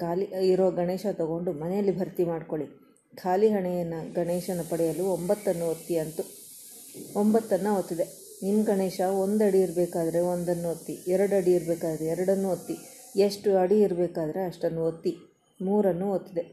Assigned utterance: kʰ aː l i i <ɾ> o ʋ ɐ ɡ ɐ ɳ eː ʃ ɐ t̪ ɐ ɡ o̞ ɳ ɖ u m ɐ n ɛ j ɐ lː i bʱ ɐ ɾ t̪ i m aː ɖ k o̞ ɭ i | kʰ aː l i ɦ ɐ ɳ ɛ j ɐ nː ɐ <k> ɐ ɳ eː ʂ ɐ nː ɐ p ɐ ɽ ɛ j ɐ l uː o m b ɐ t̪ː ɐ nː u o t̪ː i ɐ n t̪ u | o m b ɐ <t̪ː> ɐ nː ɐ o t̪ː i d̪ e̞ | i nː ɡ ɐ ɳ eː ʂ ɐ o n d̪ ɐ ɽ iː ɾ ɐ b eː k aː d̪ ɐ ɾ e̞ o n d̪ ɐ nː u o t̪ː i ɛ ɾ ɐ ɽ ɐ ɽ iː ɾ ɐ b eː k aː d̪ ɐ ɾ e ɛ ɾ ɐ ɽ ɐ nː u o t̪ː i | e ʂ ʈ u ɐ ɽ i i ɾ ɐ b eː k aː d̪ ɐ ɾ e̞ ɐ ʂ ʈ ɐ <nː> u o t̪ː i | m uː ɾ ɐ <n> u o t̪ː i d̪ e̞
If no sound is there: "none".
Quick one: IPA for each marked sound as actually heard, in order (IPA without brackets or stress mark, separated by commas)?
ɾ, ɡ, t̪ː, nː, nː